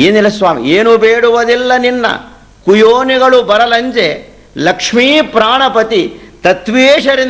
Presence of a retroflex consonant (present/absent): present